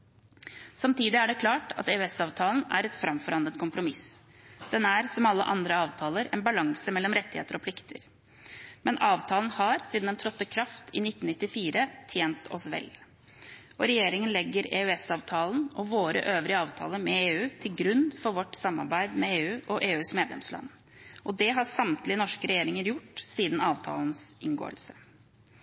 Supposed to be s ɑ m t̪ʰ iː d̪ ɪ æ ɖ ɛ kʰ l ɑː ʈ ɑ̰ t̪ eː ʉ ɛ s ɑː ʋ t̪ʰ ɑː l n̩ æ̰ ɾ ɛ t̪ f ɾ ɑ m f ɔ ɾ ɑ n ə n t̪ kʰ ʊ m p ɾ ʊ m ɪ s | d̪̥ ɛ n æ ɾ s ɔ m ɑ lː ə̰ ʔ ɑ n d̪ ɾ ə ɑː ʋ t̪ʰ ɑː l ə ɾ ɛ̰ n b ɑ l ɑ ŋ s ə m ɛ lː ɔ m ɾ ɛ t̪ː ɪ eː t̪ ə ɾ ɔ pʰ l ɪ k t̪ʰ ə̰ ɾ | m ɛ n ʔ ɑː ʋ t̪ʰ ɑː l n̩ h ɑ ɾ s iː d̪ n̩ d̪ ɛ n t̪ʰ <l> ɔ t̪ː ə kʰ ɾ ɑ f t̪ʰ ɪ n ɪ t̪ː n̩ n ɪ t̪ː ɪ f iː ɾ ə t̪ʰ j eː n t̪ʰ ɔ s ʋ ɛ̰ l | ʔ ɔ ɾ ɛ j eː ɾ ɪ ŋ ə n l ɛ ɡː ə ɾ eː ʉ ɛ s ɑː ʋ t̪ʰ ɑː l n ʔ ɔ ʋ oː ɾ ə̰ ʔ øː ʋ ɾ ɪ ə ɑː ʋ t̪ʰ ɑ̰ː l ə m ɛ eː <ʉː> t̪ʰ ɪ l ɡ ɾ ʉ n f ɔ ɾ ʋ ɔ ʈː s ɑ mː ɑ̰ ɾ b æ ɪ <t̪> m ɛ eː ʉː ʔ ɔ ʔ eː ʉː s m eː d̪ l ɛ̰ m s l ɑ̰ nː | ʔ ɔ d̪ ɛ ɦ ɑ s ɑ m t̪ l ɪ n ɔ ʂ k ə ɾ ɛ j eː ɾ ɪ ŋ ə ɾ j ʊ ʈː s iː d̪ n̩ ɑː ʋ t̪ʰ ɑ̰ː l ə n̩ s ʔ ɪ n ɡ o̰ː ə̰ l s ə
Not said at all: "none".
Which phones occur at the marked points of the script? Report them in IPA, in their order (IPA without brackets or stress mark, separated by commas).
ɾ, ʉː, d̪